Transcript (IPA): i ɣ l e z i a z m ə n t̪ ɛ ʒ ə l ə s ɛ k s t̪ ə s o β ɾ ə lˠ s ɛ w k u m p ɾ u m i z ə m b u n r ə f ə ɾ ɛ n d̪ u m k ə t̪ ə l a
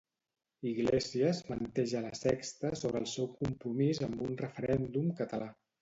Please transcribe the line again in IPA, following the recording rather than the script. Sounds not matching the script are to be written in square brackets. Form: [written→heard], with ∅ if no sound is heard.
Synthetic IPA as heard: i ɣ l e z i [a→ə] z m ə n t̪ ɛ ʒ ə l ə s ɛ k s t̪ ə s o β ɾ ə lˠ s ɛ w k u m p ɾ u m i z ə m b u n r ə f ə ɾ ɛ n d̪ u m k ə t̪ ə l a